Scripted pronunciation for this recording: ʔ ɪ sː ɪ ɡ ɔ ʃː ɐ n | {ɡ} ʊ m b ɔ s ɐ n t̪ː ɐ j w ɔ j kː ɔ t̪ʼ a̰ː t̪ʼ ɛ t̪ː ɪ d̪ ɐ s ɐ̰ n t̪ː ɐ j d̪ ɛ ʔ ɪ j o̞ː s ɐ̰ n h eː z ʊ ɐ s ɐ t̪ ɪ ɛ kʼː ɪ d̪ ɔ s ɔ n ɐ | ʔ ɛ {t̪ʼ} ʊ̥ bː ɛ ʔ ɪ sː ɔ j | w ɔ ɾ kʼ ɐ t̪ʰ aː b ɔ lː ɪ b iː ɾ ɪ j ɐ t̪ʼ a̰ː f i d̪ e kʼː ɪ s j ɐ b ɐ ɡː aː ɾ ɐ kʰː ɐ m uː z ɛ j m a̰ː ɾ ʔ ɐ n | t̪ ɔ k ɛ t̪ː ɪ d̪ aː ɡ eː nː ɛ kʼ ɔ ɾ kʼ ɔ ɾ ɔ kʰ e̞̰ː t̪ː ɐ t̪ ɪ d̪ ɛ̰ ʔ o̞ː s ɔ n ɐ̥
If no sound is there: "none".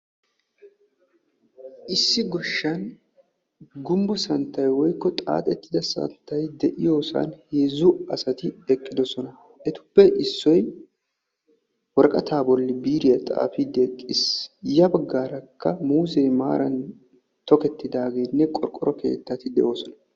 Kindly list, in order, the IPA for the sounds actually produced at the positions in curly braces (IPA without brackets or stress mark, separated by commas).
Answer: ɡ, t̪